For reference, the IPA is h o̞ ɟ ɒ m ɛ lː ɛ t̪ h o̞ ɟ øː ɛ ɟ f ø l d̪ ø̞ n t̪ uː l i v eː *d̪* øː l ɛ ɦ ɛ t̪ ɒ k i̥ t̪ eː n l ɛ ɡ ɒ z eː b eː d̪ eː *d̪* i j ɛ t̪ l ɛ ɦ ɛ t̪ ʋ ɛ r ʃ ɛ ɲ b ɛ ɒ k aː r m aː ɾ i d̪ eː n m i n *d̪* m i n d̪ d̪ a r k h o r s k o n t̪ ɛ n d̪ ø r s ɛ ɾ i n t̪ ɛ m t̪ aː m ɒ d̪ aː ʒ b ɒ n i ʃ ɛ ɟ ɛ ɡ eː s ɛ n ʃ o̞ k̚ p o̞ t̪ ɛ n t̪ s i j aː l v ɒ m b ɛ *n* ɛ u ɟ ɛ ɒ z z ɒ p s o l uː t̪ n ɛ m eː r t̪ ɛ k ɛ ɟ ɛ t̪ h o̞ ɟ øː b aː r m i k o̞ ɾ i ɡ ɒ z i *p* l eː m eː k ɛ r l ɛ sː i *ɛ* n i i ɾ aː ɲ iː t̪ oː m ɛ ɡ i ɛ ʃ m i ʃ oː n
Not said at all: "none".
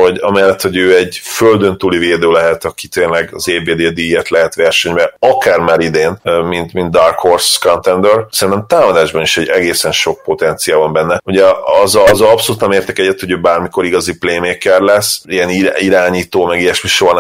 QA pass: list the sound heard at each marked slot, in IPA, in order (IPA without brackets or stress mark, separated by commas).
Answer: d̪, d̪, t̪, nː, p, ɛ